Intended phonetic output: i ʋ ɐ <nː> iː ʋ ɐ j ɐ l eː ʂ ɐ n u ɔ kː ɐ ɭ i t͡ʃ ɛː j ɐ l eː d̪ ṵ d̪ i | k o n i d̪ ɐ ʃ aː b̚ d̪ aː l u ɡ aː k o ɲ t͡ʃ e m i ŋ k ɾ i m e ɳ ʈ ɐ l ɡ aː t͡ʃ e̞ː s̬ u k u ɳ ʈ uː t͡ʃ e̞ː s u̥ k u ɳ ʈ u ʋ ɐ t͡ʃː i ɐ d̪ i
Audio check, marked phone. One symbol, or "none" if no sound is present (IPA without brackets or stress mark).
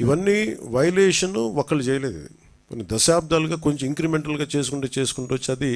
nː